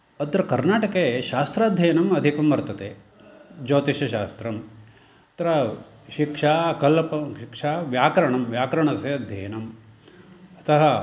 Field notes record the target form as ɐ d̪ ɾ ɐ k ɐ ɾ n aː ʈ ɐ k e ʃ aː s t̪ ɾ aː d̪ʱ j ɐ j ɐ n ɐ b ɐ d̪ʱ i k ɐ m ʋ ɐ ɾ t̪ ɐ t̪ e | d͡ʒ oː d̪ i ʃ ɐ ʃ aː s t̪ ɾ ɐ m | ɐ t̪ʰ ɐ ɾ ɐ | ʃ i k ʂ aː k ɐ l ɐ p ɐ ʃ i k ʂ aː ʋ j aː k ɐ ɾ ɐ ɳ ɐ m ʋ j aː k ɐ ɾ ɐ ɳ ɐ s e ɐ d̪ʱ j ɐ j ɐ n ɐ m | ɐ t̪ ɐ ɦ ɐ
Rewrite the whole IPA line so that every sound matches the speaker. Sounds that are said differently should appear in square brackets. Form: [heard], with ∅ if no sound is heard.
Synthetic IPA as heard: ɐ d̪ ɾ ɐ k ɐ ɾ n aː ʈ ɐ k e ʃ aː s t̪ ɾ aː d̪ʱ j ɐ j ɐ n ɐ [m] ɐ d̪ʱ i k ɐ m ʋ ɐ ɾ t̪ ɐ t̪ e | d͡ʒ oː [t̪] i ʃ ɐ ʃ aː s t̪ ɾ ɐ m | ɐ [t̪] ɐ ɾ ɐ | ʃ i k ʂ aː k ɐ l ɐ p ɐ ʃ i k ʂ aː ʋ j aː k ɐ ɾ ɐ ɳ ɐ m ʋ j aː k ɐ ɾ ɐ ɳ ɐ s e ɐ d̪ʱ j ɐ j ɐ n ɐ m | ɐ t̪ ɐ ɦ ɐ